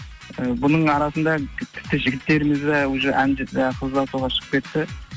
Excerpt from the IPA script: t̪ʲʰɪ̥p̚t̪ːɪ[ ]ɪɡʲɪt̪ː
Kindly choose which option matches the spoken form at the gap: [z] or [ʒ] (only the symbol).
ʒ